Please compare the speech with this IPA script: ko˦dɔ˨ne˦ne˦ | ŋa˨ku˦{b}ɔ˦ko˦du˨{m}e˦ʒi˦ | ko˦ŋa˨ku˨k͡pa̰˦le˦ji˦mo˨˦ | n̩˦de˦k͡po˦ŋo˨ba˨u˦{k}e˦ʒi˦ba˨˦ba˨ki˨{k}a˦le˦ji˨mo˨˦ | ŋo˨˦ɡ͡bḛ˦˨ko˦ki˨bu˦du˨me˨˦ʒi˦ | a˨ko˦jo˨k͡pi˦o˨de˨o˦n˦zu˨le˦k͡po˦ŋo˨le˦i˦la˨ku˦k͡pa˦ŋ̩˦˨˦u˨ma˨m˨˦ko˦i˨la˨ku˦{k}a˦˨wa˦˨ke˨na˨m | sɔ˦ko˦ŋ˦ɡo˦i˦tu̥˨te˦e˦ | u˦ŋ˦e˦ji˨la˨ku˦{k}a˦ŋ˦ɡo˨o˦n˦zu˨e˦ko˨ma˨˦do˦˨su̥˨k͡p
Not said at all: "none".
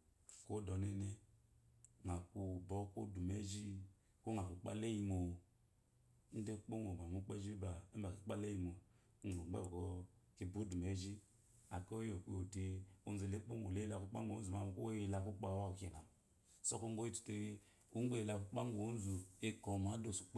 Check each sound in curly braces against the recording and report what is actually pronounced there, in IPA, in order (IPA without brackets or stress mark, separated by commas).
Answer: b, m, k͡p, k͡p, k͡p, k͡p